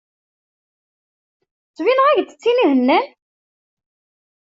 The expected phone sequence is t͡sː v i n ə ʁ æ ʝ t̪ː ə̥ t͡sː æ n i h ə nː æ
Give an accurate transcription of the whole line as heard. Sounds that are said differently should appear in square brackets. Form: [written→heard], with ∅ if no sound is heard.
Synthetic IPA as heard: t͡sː v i n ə ʁ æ ʝ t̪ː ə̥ t͡sː [æ→i] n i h ə nː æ